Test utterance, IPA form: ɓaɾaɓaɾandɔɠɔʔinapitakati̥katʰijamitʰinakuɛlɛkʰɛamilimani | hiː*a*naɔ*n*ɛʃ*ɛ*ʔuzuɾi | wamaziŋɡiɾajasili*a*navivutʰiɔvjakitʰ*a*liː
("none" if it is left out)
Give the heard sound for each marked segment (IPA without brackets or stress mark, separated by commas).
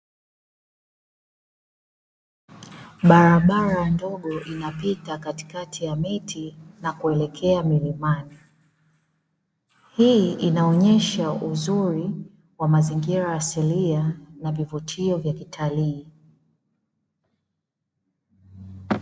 i, ɲ, a, a, a